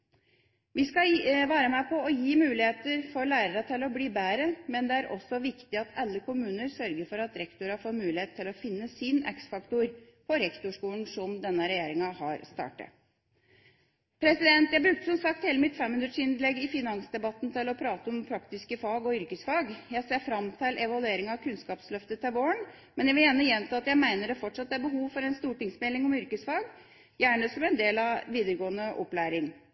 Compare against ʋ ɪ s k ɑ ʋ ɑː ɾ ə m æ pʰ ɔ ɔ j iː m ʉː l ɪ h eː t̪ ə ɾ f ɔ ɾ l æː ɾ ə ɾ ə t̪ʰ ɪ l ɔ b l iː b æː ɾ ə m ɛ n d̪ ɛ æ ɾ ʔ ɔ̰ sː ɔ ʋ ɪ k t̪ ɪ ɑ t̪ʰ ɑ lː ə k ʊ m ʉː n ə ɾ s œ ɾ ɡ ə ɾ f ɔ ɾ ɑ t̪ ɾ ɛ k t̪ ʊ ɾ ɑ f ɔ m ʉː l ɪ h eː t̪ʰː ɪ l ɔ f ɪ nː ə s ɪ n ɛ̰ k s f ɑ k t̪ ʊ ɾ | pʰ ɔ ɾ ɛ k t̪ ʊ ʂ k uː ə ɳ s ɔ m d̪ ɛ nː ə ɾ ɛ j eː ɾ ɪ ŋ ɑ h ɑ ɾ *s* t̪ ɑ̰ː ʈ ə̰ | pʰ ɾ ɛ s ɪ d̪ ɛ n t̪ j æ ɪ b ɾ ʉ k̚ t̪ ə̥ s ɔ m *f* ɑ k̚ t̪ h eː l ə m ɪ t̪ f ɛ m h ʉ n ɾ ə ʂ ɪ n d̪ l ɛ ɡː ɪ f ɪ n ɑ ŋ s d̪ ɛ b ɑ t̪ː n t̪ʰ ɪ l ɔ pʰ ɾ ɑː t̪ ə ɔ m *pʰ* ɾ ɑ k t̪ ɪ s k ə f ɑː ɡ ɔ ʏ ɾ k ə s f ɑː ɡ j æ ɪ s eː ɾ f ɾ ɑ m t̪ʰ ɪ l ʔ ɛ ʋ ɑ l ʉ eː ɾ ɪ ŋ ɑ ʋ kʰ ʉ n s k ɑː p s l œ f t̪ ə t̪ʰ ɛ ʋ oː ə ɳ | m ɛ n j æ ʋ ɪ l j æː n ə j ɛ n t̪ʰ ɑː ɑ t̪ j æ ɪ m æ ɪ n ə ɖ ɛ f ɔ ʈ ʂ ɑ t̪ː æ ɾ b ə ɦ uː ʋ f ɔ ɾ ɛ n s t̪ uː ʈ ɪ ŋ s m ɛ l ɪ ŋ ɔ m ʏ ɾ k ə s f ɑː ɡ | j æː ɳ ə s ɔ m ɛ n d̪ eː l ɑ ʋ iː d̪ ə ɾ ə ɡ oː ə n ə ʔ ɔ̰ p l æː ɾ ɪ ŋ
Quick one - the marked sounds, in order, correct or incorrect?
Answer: correct, incorrect, correct

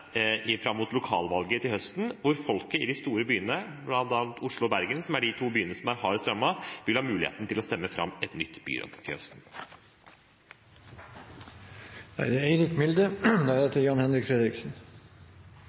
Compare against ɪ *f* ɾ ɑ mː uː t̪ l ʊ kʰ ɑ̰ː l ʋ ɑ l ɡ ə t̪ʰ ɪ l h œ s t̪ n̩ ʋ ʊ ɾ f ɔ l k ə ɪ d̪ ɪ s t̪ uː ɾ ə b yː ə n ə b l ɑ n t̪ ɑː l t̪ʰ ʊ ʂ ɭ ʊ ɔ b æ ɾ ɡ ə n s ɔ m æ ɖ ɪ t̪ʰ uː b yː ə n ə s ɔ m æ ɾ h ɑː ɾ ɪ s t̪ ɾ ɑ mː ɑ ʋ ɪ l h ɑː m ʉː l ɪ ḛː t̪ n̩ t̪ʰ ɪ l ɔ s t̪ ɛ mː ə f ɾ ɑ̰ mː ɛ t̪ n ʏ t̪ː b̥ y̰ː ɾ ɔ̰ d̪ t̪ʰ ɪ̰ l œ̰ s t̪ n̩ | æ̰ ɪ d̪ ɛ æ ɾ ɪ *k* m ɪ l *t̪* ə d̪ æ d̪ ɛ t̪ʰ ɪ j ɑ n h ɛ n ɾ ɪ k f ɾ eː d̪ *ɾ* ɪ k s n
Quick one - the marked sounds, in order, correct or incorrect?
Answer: correct, correct, incorrect, correct

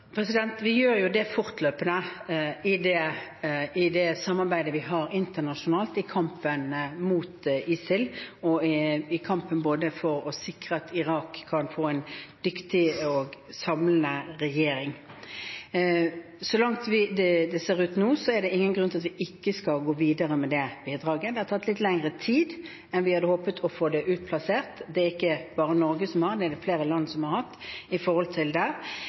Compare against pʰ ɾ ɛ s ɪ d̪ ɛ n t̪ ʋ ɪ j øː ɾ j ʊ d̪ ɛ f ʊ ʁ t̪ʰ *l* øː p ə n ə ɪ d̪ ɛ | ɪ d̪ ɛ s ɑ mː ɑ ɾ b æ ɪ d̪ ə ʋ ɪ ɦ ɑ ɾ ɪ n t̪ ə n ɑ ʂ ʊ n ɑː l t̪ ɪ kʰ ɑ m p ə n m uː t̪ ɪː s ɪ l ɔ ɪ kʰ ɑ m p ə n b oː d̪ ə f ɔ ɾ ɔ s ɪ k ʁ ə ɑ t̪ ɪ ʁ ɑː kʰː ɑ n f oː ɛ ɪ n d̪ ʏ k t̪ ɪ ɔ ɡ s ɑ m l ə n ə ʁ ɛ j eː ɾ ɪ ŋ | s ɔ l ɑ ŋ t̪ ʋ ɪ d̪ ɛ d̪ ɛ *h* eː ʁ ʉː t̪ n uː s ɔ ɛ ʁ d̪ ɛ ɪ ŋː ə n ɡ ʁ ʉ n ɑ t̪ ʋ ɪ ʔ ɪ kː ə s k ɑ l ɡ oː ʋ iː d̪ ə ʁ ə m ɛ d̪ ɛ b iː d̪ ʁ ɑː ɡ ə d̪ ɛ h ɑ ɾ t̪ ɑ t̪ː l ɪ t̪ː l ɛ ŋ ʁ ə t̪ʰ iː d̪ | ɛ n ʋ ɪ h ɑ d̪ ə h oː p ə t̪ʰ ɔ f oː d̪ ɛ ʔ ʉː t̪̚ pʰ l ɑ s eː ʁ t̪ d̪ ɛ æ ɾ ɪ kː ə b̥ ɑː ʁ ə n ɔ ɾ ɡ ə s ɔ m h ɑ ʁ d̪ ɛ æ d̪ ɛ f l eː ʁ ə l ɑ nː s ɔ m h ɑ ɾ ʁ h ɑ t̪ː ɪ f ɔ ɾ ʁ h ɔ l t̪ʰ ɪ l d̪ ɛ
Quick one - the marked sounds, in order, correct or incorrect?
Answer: correct, incorrect

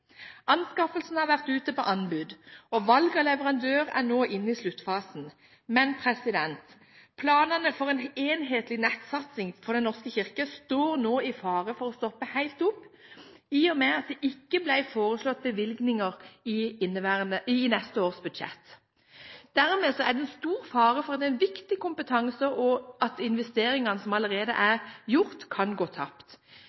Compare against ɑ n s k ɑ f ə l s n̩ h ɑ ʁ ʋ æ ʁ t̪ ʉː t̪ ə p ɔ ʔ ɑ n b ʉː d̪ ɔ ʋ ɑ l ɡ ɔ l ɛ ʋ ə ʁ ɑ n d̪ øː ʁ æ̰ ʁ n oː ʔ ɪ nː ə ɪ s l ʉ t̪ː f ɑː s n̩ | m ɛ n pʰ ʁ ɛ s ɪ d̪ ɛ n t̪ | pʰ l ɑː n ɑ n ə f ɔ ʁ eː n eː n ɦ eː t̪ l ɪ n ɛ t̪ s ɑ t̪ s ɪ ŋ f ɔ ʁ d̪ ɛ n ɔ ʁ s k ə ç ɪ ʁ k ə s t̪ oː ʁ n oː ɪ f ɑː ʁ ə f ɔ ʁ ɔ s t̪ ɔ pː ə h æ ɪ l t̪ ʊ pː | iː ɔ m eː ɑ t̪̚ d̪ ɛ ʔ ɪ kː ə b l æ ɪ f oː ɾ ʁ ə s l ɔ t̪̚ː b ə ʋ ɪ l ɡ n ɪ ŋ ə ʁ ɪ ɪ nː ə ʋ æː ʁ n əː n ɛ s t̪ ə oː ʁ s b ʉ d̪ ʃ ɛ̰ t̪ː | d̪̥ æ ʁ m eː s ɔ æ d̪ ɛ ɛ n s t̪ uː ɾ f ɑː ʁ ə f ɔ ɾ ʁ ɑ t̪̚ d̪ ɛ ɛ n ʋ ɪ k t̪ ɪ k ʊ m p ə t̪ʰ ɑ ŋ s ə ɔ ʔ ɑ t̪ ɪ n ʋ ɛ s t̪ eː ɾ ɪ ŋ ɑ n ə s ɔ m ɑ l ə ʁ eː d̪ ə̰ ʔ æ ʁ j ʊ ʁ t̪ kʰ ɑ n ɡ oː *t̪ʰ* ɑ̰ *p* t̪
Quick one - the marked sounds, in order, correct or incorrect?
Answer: correct, correct

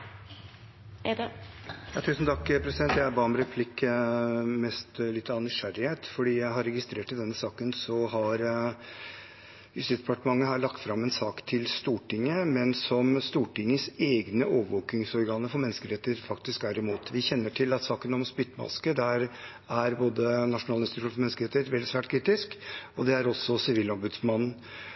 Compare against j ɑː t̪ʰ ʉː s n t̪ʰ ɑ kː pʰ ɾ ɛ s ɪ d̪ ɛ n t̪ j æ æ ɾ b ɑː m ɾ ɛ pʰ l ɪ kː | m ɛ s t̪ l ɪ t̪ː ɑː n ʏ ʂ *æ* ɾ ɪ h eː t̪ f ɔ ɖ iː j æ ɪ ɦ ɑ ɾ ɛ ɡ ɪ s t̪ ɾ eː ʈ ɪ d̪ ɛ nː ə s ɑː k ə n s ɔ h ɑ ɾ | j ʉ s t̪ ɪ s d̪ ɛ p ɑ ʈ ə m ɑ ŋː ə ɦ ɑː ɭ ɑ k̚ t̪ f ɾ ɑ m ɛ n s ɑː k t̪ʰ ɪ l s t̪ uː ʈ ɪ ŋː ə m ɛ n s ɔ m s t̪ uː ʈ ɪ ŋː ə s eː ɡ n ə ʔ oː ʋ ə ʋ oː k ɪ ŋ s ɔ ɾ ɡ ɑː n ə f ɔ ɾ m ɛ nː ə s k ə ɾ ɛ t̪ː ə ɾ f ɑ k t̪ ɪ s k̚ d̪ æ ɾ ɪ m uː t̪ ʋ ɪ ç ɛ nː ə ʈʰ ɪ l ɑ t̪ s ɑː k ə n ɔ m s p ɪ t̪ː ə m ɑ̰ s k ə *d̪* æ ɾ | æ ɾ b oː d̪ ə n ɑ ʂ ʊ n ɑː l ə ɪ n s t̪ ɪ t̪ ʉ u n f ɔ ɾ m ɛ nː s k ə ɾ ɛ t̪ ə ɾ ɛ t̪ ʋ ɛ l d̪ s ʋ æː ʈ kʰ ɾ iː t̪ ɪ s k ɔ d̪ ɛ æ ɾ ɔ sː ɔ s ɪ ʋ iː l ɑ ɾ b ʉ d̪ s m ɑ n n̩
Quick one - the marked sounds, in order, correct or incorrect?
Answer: correct, correct

